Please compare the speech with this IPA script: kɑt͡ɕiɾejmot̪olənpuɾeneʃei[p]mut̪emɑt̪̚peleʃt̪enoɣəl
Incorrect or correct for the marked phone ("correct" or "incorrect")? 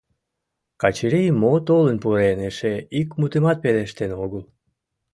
incorrect